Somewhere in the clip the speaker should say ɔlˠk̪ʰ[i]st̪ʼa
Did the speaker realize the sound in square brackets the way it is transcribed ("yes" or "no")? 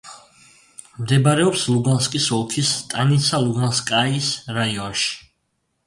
yes